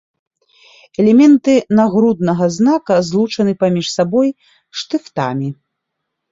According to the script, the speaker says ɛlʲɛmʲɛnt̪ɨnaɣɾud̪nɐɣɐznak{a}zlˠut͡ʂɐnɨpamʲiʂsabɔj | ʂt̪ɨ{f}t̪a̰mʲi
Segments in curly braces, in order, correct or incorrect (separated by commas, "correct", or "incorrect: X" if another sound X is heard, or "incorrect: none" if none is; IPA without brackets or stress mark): incorrect: ɐ, correct